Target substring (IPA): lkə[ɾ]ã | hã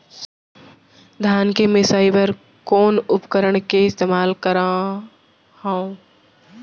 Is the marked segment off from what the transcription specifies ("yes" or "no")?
no